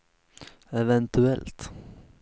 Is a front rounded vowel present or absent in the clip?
absent